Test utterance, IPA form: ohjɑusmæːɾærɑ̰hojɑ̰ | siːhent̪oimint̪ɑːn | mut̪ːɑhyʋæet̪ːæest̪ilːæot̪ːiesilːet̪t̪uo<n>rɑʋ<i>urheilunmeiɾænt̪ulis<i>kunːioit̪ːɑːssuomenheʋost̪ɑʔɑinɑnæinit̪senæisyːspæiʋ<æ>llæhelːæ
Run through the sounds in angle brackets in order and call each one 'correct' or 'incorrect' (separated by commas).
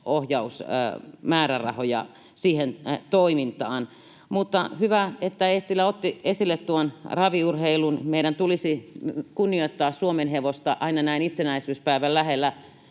correct, correct, correct, correct